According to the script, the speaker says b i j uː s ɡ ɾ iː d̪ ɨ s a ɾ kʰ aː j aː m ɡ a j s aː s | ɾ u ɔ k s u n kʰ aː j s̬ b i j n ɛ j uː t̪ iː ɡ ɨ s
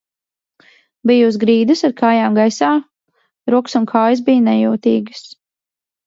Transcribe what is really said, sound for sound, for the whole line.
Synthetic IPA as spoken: b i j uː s ɡ ɾ iː d̪ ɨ s a ɾ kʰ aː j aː m ɡ a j s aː | ɾ u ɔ k s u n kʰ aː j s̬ b i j n ɛ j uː t̪ iː ɡ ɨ s